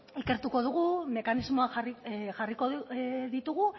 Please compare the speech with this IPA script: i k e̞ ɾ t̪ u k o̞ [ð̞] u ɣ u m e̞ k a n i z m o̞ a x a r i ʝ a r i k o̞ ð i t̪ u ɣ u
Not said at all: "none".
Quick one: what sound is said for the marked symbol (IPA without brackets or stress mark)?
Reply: ð̞